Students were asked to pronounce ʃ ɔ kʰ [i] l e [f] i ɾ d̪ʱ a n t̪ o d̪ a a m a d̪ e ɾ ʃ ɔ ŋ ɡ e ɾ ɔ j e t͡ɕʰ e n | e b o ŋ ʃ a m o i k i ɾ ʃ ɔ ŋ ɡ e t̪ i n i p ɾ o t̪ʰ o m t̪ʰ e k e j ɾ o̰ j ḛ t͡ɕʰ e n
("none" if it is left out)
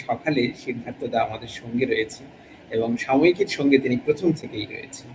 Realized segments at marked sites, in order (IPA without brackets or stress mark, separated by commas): a, ʃ